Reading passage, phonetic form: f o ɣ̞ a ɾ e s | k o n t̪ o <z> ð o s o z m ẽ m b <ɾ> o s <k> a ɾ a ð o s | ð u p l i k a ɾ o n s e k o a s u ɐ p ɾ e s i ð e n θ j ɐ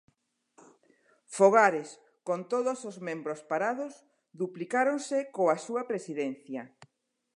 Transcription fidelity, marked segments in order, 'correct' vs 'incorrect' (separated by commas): incorrect, correct, incorrect